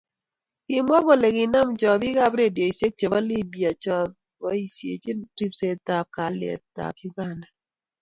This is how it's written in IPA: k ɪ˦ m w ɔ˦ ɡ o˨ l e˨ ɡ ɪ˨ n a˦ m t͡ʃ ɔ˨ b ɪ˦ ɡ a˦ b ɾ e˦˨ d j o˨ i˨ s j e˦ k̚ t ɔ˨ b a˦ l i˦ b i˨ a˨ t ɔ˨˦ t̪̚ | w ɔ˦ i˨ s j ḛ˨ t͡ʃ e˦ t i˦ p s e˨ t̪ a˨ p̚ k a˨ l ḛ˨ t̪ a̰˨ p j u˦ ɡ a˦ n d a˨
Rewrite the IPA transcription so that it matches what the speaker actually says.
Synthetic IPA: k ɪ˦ m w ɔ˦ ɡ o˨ l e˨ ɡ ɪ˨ n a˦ m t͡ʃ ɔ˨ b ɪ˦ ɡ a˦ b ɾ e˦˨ d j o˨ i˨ s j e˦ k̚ t͡ʃ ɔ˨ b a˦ l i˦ b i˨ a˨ t͡ʃ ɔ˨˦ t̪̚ | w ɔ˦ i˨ s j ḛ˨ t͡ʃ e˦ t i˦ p s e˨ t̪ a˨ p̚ k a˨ l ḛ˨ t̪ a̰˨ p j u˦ ɡ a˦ n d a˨